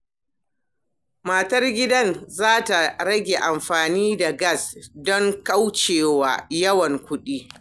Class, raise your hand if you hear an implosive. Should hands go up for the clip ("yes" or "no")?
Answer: yes